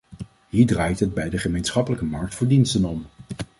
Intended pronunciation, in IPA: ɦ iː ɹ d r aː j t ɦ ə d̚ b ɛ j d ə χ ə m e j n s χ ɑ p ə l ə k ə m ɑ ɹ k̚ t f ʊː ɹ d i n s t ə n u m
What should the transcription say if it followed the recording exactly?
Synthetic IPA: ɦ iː ɹ d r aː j t ɦ ə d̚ b ɛ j d ə χ ə m e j n s χ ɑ p ə l ə k ə m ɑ ɹ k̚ t f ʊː ɹ d i n s t ə n ɔ m